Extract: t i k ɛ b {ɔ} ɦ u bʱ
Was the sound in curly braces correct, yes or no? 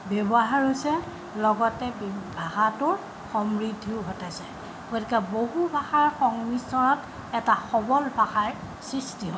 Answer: no